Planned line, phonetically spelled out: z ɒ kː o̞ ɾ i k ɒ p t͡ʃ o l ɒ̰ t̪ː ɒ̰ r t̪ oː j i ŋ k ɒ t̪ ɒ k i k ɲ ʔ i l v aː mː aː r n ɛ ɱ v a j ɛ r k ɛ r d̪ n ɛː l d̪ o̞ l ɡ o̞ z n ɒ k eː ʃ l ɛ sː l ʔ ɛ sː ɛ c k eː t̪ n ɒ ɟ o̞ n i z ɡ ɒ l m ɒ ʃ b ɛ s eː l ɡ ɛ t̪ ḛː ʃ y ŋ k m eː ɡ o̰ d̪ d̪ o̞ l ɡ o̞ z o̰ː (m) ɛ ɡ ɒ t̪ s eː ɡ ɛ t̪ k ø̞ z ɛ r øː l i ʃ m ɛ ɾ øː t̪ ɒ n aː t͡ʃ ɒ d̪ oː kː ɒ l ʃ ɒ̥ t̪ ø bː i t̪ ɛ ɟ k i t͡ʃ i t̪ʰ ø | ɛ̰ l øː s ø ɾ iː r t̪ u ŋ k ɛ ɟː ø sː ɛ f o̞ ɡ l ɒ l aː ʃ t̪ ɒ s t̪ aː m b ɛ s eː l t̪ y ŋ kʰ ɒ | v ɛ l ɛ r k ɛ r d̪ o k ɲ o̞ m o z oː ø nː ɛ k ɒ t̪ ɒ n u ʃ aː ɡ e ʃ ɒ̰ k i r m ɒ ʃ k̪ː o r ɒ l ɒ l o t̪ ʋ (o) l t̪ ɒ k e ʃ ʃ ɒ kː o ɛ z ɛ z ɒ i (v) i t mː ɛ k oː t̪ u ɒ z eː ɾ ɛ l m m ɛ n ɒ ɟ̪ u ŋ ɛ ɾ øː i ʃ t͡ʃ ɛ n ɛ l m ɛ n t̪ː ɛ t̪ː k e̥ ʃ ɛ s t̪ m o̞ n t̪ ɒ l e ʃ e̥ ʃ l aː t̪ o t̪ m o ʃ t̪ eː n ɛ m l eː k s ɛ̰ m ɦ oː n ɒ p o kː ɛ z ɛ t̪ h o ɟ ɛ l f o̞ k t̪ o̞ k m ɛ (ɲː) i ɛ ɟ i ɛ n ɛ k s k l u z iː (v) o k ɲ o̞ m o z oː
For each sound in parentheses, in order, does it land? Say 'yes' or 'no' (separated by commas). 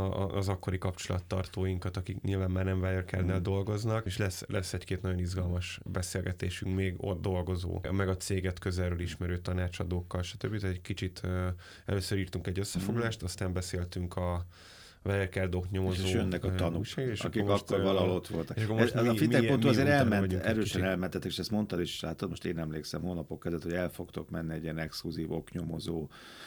yes, yes, no, no, yes